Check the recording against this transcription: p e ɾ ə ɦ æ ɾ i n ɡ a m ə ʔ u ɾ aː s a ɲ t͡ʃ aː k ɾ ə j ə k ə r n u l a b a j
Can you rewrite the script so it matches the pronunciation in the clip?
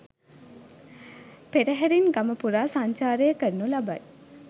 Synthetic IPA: p e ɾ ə ɦ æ ɾ i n ɡ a m ə p u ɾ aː s a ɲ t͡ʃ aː ɾ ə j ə k ə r n u l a b a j